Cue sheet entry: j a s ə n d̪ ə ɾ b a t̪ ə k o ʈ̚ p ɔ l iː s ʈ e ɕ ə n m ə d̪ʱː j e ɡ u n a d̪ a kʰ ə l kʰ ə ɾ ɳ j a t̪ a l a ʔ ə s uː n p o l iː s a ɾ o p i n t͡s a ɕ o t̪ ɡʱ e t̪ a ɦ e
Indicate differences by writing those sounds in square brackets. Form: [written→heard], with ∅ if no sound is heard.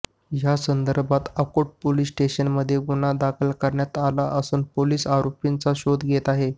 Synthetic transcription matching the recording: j a s ə n d̪ ə ɾ b a t̪ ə k o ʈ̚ p [ɔ→o] l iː s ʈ e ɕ ə n m ə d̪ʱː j e ɡ u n a d̪ a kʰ ə l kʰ ə ɾ ɳ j a t̪ a l a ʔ ə s uː n p o l iː s a ɾ o p i n t͡s a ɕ o [t̪→d̪] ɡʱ e t̪ a ɦ e